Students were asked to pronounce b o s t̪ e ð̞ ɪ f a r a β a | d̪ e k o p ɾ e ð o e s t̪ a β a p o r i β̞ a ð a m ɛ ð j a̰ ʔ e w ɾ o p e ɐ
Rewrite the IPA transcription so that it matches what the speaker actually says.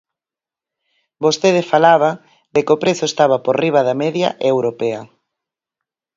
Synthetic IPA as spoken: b o s t̪ e ð̞ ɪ f a l a β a | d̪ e k o p ɾ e θ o e s t̪ a β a p o r i β̞ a ð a m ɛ ð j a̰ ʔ e w ɾ o p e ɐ